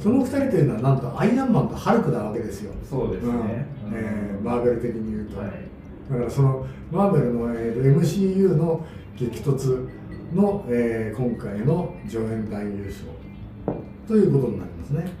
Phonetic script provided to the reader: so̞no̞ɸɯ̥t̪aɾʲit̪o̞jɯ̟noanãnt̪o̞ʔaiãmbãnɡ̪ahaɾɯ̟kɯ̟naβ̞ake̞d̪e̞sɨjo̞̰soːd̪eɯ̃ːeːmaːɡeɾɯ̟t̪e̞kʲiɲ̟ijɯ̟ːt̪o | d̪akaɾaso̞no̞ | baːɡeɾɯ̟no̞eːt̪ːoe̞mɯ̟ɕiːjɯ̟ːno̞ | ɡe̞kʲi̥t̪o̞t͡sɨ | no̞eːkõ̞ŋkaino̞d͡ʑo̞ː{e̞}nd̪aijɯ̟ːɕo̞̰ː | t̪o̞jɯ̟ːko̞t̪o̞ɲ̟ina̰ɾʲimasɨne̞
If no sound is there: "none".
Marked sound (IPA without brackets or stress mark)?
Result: ẽ̞